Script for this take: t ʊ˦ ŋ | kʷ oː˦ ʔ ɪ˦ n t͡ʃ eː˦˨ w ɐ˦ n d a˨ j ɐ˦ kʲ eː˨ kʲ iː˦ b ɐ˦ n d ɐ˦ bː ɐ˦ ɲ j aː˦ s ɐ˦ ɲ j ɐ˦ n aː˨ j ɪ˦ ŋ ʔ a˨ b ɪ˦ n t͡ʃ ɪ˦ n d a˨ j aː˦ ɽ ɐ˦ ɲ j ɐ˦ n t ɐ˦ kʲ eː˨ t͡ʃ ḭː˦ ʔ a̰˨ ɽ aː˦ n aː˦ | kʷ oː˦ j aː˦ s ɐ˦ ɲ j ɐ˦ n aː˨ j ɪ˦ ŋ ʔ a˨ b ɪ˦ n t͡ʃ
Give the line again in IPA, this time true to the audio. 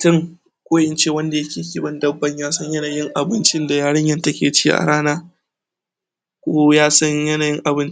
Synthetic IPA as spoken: t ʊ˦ ŋ | kʷ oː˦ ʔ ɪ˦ n t͡ʃ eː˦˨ w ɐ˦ n d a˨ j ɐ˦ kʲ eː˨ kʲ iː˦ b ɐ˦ n d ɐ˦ bː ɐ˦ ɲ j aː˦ s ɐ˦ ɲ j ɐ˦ n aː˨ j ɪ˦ ŋ ʔ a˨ b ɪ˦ n t͡ʃ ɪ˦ n d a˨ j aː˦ ɽ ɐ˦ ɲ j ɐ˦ n t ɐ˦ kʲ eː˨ t͡ʃ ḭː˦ ʔ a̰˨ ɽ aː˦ n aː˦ | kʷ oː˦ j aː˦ s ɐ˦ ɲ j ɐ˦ n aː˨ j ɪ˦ ŋ ʔ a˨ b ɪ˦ n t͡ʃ